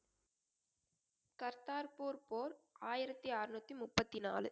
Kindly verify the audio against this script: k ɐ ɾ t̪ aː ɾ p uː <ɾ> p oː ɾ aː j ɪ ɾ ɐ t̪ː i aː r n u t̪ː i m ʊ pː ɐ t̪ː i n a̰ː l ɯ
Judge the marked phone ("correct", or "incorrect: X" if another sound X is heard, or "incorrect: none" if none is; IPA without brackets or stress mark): correct